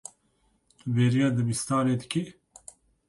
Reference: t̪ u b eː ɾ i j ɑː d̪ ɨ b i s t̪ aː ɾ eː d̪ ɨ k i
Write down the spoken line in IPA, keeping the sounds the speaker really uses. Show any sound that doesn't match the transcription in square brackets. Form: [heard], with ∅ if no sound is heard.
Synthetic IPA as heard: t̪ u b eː ɾ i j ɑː d̪ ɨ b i s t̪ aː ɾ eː d̪ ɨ k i